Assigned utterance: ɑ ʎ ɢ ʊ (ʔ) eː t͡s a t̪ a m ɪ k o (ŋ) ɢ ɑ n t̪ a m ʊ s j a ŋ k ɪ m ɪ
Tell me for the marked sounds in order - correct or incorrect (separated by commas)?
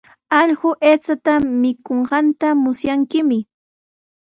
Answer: correct, incorrect